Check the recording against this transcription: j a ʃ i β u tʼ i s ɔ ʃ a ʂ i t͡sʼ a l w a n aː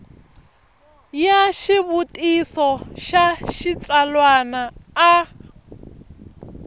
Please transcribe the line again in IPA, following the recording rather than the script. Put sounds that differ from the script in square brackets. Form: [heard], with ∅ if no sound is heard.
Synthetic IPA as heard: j a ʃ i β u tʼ i s ɔ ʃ a [ʃ] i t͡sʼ a l w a n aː

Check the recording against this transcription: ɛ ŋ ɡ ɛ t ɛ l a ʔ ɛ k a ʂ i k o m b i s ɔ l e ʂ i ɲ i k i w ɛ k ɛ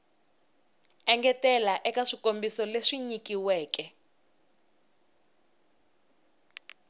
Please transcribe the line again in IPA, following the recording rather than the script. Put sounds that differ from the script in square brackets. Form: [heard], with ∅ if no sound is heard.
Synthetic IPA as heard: ɛ ŋ ɡ ɛ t ɛ l a ʔ ɛ k a ʂ i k o m b i s ɔ l e ʂ i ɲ i k i w [ɛː] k ɛ

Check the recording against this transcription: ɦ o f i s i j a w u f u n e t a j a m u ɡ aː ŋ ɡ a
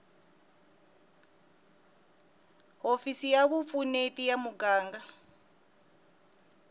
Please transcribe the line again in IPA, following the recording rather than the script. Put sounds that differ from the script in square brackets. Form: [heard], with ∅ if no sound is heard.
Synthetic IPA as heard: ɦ o f i s i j a [β] u f u n e t [i] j a m u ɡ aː ŋ ɡ a

